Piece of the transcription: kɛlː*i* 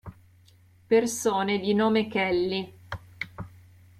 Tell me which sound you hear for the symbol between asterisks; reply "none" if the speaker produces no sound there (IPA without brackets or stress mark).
i